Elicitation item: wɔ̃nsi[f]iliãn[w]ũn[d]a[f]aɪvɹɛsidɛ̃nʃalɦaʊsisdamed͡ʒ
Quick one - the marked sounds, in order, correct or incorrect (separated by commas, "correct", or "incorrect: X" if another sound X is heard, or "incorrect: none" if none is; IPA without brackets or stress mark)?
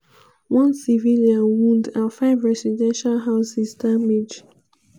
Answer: incorrect: v, correct, correct, correct